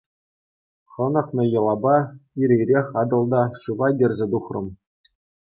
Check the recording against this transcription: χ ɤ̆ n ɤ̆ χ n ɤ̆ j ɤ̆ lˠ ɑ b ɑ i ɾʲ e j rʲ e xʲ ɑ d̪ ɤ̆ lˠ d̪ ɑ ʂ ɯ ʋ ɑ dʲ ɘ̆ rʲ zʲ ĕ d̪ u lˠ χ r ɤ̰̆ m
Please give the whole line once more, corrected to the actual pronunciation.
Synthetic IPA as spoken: χ ɤ̆ n ɤ̆ χ n ɤ̆ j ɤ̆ lˠ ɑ b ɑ i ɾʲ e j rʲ e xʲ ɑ d̪ ɤ̆ lˠ d̪ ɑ ʂ ɯ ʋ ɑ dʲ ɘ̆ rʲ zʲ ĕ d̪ u χ r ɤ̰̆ m

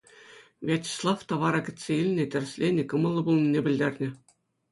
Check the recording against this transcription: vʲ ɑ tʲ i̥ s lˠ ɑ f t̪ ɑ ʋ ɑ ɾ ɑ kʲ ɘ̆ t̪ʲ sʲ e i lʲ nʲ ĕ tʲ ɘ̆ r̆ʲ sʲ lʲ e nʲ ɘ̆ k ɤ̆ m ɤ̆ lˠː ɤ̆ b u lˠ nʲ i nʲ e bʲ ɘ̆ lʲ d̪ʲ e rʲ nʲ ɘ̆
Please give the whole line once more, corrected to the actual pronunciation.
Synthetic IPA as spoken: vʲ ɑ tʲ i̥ s lˠ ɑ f t̪ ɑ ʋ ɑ ɾ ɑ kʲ ɘ̆ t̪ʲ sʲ e i lʲ nʲ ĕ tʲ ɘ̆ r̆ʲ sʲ lʲ e nʲ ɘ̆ k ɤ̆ m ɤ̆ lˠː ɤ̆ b u lˠ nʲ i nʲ e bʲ ɘ̆ lʲ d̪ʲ e rʲ nʲ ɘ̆

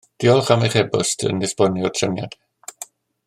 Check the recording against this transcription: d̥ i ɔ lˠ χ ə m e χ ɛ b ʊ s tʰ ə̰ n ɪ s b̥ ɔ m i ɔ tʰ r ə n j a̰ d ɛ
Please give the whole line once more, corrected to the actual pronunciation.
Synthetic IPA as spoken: d̥ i ɔ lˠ χ a m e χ ɛ b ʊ s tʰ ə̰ n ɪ s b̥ ɔ n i ɔ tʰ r ə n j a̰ d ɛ

